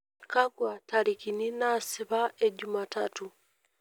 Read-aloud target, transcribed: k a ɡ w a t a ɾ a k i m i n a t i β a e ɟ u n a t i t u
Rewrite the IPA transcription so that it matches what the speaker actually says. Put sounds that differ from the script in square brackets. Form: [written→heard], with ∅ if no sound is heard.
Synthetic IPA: k a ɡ w a t a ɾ [a→i] k i [m→n] i n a [t→s] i β a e ɟ u [n→m] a t [i→a] t u